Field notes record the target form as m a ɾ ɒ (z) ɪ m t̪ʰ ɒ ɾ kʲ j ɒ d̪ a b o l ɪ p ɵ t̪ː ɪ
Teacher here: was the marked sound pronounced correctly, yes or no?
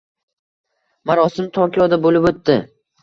no